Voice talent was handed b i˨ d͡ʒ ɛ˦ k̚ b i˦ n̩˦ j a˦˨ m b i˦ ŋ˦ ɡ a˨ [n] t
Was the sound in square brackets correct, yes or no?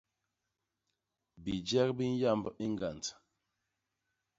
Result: yes